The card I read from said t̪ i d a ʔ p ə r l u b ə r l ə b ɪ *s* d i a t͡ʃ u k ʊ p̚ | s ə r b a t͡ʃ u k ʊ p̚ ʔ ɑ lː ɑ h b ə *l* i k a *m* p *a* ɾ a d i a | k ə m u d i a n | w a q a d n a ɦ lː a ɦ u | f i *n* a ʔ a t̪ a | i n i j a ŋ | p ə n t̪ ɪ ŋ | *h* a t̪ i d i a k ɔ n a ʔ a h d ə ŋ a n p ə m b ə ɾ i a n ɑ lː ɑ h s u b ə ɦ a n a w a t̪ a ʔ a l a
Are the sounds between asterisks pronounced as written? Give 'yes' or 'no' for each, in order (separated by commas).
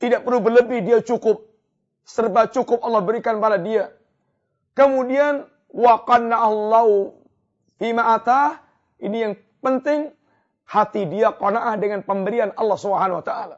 no, no, no, yes, no, yes